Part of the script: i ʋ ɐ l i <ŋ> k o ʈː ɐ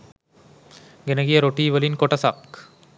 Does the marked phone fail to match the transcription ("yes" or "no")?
yes